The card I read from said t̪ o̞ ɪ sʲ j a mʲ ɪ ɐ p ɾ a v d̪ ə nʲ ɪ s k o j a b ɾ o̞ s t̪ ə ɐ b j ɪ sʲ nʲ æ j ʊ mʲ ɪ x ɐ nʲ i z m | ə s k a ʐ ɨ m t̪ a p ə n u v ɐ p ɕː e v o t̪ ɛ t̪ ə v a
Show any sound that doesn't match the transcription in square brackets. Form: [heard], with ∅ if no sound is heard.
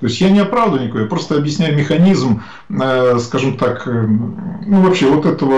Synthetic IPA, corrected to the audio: t̪ o̞ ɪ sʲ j a [nʲ] ɪ ɐ p ɾ a v d̪ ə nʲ ɪ [∅] k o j a [p] ɾ o̞ s t̪ ə ɐ b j ɪ sʲ nʲ æ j ʊ mʲ ɪ x ɐ nʲ i z m | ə s k a ʐ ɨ m t̪ a [k] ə n u v ɐ p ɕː e v o t̪ ɛ t̪ ə v [ə]